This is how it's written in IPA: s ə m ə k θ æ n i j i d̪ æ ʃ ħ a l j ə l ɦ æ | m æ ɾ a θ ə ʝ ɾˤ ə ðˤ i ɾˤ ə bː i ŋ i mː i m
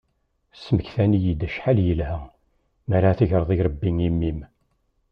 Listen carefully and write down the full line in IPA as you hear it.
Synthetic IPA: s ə m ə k θ æ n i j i d̪ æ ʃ ħ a l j ə l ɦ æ | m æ ɾ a θ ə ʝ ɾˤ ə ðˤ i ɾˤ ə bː i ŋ i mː i m